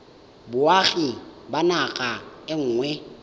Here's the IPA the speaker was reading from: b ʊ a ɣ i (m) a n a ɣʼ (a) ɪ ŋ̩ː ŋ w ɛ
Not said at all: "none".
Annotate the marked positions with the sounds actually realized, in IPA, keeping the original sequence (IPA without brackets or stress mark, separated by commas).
b, a